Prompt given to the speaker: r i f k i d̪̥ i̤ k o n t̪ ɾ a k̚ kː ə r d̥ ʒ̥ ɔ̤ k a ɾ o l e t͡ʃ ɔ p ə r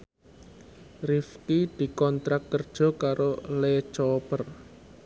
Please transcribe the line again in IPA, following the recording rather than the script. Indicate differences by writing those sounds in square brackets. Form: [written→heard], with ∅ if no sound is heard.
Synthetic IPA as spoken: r i f k i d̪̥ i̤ k [o→ɔ] n t̪ ɾ a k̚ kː ə r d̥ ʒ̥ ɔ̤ k a ɾ o l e t͡ʃ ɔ p ə r